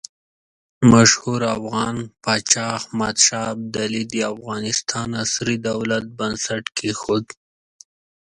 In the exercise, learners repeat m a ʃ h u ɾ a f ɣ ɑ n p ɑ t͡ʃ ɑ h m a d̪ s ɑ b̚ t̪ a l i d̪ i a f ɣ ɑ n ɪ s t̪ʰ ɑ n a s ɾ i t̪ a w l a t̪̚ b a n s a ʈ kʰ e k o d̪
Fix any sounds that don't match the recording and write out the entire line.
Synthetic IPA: m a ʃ h u ɾ a f ɣ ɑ n p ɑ t͡ʃ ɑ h m a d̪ ʃ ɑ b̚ d̪ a l i d̪ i a f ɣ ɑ n ɪ s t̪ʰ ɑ n a s ɾ i d̪ a w l a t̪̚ b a n s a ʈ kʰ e x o d̪